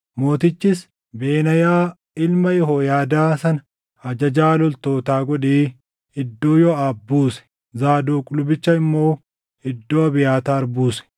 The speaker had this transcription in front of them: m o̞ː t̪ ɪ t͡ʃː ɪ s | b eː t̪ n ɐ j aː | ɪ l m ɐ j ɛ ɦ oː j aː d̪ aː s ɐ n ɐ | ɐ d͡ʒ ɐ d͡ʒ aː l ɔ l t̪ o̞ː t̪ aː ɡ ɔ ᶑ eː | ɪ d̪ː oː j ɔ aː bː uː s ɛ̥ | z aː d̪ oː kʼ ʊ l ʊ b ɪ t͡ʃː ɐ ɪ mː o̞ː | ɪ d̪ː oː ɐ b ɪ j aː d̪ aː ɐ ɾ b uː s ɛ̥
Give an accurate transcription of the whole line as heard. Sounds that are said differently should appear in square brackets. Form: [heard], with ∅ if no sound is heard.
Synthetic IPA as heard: m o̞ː t̪ ɪ t͡ʃː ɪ s | b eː [∅] n ɐ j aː | ɪ l m ɐ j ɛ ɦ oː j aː d̪ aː s ɐ n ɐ | ɐ d͡ʒ ɐ d͡ʒ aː l ɔ l t̪ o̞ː t̪ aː ɡ ɔ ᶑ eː | ɪ d̪ː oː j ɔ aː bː uː s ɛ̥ | z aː d̪ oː kʼ ʊ l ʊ b ɪ t͡ʃː ɐ ɪ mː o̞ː | ɪ d̪ː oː ɐ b ɪ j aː [t̪] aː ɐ ɾ b uː s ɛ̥